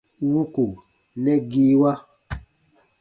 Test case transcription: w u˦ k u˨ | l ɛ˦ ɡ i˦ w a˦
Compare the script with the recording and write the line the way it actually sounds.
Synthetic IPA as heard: w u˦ k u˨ | l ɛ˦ ɡ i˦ w a˦